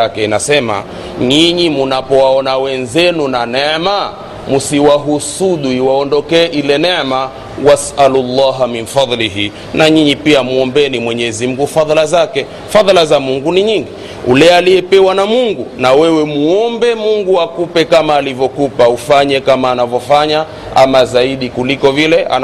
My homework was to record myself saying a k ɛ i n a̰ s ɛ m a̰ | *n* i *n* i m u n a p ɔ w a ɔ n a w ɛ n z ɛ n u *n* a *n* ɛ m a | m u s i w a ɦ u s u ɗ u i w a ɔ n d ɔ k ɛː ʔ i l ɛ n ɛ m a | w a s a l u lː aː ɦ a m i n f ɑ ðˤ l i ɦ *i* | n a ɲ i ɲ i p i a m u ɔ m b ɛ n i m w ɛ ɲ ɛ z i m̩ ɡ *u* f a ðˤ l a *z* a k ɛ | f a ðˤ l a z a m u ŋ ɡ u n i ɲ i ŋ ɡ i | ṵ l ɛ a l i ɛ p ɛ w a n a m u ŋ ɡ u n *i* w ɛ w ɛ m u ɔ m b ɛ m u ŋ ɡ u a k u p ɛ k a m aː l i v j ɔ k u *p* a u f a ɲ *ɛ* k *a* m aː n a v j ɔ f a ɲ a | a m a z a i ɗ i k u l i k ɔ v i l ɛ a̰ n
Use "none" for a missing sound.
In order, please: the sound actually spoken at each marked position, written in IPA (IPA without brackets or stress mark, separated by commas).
ɲ, ɲ, n, n, i, u, z, a, p, ɛ, a